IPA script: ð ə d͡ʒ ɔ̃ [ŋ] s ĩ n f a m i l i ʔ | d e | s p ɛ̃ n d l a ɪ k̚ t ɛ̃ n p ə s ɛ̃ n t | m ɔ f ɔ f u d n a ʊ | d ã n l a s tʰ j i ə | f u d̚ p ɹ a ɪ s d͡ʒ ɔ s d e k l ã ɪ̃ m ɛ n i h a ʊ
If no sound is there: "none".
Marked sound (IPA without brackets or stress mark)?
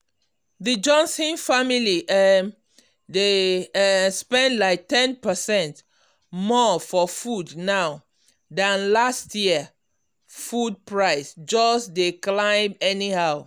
n